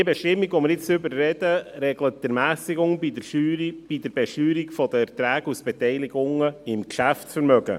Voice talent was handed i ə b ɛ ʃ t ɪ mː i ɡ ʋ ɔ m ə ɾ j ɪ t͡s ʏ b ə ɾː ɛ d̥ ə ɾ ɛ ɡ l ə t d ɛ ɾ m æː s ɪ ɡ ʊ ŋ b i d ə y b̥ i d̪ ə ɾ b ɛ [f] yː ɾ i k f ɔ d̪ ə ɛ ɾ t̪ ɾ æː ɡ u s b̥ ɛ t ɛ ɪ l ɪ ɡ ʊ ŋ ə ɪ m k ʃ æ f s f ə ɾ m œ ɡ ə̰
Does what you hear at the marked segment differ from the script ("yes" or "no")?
yes